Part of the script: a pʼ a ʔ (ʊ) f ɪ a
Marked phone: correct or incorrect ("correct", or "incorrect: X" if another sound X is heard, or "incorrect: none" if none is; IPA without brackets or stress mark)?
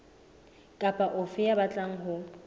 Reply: correct